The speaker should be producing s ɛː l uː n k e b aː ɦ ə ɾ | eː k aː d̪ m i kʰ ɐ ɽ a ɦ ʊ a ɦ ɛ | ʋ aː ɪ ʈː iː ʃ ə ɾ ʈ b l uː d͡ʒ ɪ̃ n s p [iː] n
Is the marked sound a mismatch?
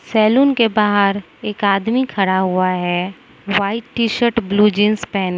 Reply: yes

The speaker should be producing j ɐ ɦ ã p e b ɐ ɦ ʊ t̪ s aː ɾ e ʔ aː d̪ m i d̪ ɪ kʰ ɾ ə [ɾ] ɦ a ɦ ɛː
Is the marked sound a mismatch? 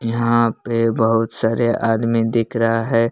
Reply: yes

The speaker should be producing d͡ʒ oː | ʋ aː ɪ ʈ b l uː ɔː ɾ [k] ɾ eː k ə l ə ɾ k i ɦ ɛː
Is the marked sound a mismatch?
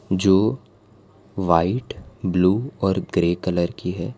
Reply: yes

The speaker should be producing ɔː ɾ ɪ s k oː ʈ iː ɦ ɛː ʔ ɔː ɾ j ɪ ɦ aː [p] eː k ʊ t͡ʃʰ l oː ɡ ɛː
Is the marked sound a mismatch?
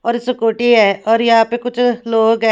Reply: no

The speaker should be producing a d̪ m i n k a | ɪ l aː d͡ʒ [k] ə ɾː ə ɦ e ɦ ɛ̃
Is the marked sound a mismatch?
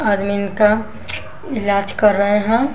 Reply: no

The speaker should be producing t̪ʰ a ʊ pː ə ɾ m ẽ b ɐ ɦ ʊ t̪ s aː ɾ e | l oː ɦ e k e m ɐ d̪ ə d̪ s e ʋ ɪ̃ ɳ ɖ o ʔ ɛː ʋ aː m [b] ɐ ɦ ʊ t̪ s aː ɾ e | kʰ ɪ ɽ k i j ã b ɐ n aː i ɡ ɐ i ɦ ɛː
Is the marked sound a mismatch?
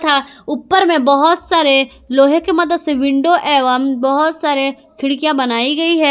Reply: no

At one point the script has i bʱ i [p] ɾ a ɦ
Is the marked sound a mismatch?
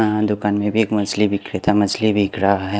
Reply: yes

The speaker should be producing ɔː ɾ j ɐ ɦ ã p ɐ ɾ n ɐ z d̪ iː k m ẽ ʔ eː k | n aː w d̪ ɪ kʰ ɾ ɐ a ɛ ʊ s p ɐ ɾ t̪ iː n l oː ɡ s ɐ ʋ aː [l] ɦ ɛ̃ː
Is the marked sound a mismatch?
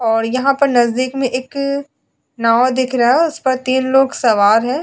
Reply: yes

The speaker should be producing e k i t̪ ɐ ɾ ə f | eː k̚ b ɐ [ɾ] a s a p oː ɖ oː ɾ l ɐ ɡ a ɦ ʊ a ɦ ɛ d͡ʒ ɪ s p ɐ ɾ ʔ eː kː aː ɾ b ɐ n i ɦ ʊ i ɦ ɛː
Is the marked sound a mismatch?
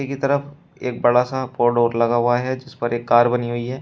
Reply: yes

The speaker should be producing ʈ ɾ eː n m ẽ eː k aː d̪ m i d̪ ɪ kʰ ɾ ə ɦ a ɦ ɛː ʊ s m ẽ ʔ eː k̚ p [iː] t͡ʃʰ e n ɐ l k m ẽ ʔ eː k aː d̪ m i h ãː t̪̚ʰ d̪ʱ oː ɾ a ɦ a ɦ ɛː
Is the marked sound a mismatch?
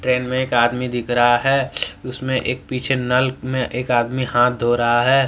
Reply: no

